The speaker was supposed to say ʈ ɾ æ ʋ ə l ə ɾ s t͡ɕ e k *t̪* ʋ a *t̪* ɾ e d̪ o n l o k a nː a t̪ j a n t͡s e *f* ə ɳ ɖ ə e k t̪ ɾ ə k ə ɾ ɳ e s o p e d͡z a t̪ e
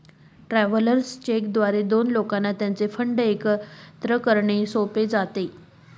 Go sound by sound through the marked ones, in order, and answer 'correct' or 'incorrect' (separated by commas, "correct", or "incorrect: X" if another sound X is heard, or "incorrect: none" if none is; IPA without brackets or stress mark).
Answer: incorrect: d̪, incorrect: none, correct